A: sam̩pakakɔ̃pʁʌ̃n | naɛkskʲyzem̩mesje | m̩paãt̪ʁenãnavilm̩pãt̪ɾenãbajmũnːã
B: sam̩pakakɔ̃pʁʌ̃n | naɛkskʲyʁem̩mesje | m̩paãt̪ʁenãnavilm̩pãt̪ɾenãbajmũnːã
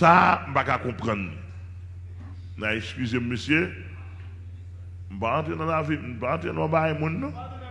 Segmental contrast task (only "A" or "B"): A